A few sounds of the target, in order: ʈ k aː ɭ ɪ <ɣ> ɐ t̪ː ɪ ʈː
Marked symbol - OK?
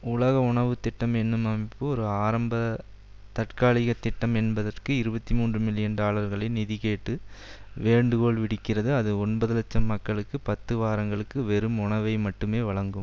yes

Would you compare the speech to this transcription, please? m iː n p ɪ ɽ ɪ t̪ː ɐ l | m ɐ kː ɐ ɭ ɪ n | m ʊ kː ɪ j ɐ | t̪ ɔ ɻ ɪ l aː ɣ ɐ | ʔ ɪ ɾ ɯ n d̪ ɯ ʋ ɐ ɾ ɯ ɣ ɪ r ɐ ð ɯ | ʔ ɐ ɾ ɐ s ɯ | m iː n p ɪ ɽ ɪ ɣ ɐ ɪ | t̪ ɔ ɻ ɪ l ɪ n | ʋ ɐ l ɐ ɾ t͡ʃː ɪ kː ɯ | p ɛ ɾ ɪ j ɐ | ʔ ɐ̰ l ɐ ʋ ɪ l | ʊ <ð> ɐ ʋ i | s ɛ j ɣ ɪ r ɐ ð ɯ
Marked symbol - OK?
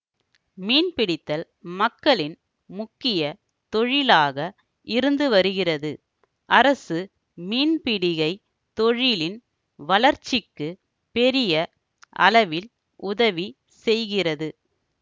yes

